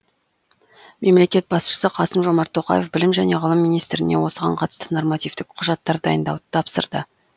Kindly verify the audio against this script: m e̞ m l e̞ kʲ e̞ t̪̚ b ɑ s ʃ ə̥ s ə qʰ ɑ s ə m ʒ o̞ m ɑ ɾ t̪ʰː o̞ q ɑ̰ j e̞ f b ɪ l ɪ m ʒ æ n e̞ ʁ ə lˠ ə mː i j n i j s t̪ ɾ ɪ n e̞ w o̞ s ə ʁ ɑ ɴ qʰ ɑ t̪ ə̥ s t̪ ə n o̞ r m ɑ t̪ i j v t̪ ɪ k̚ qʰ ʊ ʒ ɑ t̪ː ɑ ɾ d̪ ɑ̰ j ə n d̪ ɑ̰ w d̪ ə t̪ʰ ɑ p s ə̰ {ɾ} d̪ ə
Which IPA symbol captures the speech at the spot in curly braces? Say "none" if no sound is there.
ɾ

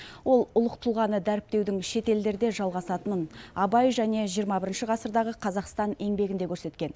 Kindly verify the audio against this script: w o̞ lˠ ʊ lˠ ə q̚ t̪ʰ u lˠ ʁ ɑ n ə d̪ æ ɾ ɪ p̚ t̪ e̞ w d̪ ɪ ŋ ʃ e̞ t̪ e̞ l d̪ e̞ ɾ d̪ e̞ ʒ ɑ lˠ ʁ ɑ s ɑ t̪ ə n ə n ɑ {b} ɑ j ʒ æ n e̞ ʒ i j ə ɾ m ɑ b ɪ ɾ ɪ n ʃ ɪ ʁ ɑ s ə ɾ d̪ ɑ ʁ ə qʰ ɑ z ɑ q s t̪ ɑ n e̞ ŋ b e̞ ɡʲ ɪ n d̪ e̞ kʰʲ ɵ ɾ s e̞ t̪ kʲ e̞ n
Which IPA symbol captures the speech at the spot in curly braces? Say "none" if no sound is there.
b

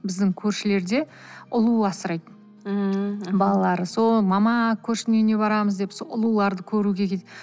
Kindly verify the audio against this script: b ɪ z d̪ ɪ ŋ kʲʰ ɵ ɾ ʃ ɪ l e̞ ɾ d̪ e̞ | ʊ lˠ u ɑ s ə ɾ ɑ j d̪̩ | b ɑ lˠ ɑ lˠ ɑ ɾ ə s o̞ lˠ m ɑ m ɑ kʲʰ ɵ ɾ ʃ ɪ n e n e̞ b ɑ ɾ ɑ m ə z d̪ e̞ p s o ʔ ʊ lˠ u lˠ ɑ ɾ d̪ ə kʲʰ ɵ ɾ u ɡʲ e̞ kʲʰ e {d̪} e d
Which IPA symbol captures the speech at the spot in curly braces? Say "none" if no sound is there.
t̪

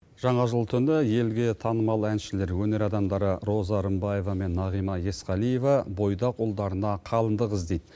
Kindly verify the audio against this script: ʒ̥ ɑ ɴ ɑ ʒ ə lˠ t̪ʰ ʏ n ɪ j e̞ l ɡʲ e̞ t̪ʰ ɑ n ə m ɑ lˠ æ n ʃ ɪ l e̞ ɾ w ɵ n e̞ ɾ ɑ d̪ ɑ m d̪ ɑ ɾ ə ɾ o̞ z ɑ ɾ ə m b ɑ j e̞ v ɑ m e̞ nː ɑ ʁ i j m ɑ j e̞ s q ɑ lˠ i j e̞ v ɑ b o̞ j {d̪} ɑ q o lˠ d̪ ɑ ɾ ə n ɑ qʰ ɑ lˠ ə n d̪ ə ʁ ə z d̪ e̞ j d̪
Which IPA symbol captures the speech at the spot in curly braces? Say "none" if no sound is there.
d̪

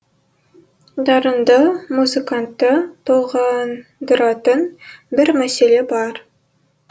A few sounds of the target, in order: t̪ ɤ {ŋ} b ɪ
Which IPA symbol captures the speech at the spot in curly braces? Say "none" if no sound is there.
n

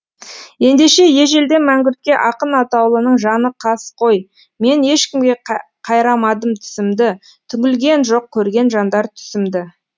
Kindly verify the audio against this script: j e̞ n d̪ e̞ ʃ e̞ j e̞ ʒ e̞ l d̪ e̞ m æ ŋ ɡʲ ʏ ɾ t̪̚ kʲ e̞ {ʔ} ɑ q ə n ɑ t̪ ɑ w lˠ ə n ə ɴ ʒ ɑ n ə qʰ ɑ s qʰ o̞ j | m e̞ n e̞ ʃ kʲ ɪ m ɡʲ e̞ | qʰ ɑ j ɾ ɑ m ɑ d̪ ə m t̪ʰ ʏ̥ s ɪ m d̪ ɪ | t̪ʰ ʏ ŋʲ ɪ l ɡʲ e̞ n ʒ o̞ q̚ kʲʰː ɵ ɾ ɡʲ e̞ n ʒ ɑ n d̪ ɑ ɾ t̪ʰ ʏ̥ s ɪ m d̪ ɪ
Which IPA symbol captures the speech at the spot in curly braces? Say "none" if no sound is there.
ʔ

